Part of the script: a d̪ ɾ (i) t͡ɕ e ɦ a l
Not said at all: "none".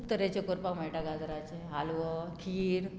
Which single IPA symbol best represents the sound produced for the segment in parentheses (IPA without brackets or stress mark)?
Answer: a